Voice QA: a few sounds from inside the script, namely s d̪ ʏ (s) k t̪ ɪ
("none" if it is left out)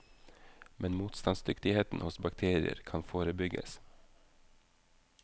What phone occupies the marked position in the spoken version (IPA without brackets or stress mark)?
none